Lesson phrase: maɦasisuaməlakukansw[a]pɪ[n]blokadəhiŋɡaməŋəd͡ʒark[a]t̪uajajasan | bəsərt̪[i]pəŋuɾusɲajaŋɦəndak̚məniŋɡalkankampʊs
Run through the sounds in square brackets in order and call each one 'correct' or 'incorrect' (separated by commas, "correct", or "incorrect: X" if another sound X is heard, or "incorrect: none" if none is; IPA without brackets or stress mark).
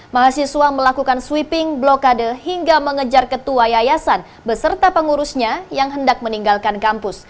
incorrect: i, incorrect: ŋ, incorrect: ə, incorrect: a